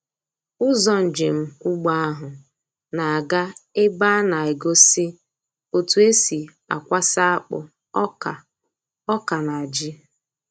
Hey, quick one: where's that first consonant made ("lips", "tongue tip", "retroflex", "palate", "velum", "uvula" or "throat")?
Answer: tongue tip